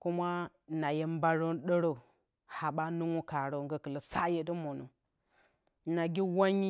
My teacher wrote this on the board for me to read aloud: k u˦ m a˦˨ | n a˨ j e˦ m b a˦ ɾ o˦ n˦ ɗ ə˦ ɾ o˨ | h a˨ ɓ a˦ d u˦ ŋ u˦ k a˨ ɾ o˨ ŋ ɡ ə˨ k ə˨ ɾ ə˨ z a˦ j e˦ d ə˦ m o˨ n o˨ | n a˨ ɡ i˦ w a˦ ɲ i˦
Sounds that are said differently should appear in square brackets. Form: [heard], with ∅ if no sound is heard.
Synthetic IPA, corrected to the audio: k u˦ m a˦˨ | n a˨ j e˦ m b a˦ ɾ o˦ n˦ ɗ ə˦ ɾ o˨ | h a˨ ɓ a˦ [n] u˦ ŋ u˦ k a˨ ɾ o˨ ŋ ɡ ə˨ k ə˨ [l] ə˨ [s] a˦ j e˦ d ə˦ m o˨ n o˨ | n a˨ ɡ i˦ w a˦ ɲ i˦

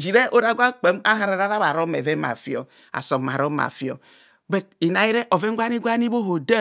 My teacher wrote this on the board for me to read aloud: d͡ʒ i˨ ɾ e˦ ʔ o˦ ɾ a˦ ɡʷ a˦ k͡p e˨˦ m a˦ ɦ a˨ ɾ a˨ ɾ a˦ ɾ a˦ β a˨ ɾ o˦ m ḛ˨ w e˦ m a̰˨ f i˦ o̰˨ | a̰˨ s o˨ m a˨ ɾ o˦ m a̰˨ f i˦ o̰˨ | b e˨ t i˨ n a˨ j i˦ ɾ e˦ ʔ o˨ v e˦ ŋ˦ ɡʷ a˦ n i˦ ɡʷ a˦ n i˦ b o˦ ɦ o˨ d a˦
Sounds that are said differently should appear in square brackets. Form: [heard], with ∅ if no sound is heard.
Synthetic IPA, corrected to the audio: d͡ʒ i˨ ɾ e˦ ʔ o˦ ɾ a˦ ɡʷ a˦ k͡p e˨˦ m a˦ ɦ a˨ ɾ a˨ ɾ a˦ ɾ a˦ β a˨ ɾ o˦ m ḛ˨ [v] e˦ m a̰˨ f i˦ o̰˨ | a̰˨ s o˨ m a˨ ɾ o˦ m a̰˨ f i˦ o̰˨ | b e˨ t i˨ n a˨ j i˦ ɾ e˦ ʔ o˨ v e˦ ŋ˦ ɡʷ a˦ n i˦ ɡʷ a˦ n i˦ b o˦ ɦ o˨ d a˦

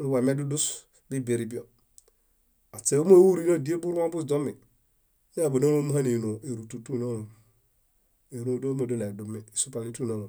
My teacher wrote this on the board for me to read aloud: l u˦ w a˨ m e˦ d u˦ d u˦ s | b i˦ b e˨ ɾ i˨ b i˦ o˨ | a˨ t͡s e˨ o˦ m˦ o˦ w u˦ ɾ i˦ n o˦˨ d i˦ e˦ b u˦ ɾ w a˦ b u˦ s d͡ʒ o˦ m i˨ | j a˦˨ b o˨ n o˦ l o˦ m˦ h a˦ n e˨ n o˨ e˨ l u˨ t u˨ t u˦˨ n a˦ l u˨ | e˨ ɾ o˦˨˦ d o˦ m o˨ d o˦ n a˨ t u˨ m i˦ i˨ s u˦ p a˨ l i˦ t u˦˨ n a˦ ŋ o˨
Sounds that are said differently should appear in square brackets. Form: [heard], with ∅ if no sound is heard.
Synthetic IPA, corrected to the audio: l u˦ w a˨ m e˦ d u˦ d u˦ s | b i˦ b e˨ ɾ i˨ b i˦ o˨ | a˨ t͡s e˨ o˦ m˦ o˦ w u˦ ɾ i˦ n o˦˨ d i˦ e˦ b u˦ ɾ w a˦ b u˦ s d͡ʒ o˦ m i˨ | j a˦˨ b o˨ n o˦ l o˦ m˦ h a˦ n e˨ n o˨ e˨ [ɾ] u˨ t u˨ t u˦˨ n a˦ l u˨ | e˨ ɾ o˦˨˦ d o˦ m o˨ d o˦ n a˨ [d] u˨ m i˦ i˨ s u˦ p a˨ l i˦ t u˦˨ n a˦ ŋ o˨

